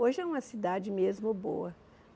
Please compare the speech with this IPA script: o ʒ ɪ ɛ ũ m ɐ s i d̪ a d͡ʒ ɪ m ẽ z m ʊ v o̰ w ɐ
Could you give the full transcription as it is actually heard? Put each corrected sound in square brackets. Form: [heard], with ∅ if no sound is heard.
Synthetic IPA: o ʒ ɪ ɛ ũ m ɐ s i d̪ a d͡ʒ ɪ m [e] z m ʊ [b] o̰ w ɐ